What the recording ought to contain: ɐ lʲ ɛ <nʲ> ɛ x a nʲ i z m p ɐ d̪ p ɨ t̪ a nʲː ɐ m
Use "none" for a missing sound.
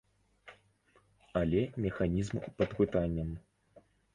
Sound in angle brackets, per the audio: mʲ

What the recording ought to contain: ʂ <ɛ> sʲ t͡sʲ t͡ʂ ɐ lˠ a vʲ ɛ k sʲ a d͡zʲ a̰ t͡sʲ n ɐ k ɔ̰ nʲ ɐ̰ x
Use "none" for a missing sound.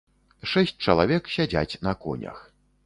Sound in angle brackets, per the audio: ɛ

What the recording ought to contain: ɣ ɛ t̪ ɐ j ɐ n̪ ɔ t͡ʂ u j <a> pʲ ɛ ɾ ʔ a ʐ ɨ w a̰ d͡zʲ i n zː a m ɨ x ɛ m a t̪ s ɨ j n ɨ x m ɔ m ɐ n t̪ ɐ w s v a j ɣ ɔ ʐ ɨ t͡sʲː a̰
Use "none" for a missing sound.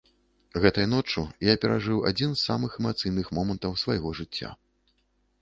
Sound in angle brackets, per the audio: a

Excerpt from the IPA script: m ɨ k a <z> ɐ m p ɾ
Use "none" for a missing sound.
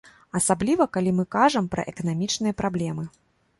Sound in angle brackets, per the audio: ʐ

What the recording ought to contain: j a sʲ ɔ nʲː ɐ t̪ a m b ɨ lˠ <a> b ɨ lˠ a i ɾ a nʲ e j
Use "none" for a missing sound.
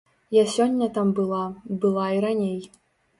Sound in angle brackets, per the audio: a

